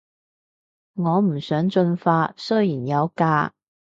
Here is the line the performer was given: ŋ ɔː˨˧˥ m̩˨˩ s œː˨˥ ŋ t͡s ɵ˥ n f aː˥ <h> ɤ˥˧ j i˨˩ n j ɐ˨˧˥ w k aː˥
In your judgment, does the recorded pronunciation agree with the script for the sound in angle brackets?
no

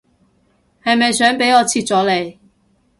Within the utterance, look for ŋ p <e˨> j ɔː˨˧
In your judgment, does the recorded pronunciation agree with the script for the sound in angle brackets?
no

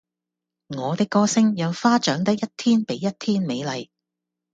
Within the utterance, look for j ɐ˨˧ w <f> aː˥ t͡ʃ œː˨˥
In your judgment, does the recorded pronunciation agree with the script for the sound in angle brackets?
yes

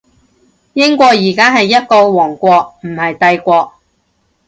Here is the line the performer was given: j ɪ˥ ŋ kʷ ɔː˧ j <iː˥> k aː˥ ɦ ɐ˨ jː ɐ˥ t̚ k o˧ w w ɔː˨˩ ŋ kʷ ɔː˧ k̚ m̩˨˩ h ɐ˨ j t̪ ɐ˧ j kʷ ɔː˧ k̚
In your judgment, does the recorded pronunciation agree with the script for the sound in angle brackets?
no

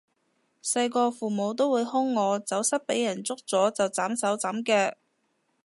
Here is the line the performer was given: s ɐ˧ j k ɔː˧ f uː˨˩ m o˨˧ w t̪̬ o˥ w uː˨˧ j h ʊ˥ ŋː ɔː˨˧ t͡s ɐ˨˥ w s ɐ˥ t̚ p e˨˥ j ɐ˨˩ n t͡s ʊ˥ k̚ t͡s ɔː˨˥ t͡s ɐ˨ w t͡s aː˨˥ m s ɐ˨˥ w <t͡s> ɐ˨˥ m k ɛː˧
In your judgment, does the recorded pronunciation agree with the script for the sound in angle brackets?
yes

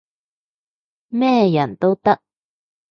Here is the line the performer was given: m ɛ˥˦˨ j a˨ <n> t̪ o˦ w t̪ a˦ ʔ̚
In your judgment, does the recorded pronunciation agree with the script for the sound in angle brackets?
yes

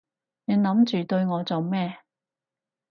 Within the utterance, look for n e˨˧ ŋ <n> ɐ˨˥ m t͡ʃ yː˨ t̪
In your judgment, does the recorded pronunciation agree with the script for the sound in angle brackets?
yes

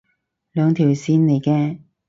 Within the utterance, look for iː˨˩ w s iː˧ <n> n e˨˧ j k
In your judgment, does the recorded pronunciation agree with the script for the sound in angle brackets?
yes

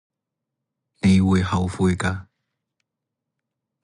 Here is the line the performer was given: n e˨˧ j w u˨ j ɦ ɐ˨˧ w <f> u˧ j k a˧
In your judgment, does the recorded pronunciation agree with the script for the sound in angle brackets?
yes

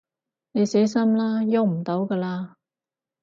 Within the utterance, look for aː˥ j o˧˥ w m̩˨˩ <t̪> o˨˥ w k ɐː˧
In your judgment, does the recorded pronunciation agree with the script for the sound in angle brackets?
yes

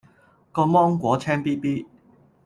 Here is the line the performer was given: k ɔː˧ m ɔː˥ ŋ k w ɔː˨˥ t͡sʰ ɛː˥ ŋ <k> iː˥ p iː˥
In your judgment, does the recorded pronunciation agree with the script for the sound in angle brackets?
no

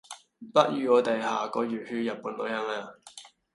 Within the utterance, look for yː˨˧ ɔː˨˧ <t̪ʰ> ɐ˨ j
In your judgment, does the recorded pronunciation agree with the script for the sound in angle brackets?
no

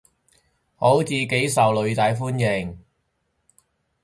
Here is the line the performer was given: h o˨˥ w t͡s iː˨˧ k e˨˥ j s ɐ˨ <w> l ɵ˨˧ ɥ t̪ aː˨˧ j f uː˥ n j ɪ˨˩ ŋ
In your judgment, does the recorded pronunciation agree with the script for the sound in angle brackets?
yes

